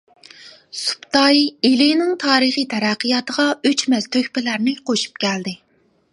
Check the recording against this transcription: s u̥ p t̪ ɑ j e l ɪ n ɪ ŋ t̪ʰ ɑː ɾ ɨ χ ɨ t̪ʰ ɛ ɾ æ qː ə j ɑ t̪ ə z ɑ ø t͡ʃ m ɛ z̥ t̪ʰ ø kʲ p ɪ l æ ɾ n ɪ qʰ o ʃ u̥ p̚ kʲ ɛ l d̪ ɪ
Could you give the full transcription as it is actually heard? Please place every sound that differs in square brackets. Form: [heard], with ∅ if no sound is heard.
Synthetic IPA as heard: s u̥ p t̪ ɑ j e l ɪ n ɪ ŋ t̪ʰ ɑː ɾ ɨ χ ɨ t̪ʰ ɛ ɾ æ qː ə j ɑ t̪ ə [ʁ] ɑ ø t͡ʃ m ɛ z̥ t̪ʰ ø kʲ p ɪ l æ ɾ n ɪ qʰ o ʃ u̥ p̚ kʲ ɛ l d̪ ɪ